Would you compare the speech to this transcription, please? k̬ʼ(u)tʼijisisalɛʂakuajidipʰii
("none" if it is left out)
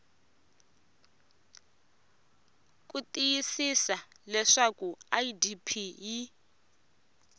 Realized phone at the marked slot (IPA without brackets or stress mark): u